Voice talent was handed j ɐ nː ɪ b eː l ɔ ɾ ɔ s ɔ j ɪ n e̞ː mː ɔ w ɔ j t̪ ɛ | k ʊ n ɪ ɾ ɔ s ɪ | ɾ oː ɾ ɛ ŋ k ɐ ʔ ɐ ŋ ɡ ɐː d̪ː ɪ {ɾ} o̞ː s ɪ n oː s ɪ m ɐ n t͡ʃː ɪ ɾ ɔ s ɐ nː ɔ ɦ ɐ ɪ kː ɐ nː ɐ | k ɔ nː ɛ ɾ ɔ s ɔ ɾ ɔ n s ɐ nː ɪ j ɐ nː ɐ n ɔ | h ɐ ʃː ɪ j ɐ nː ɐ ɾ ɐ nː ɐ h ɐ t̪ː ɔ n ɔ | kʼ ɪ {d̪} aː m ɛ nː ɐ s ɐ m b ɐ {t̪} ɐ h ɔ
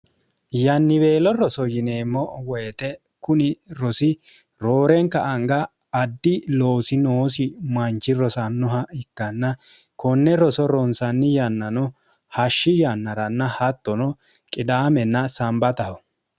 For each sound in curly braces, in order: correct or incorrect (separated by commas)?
incorrect, correct, correct